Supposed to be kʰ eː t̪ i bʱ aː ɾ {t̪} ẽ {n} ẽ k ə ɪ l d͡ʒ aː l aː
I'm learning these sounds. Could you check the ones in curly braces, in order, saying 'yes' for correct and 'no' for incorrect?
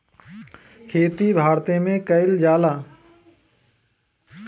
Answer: yes, no

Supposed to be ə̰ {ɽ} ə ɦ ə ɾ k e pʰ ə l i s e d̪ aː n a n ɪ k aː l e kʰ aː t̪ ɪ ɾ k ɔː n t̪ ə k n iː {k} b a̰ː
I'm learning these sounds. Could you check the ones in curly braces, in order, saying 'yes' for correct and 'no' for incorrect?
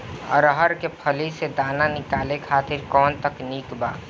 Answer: no, yes

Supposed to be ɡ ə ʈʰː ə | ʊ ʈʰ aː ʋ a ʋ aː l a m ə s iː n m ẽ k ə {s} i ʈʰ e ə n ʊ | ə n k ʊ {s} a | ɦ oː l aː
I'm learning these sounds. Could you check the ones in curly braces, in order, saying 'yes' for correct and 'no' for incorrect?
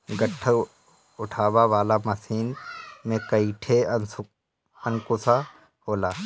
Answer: no, yes

